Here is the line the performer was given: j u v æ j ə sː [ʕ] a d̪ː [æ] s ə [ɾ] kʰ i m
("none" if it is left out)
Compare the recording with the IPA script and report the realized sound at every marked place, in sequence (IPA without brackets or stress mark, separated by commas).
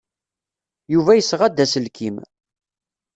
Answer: ʁ, æ, l